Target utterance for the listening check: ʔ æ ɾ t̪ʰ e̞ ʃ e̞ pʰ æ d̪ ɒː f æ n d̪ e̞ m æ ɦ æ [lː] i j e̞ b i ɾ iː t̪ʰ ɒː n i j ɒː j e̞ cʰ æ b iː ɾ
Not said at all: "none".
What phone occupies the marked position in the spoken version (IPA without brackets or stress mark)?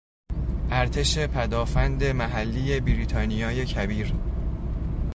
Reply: lː